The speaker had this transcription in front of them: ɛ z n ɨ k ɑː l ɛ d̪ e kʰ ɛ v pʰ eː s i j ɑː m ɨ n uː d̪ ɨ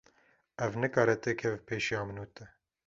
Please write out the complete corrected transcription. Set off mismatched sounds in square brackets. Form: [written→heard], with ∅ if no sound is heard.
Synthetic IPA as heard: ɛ [z→v] n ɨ k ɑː [l→ɾ] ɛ [d̪→t̪] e kʰ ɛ v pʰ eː [s→ʃ] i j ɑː m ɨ n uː [d̪→t̪] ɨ